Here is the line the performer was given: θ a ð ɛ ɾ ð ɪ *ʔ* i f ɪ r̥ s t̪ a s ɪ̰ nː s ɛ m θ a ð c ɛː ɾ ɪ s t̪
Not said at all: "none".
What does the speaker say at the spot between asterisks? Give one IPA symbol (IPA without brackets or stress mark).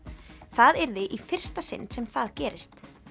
ʔ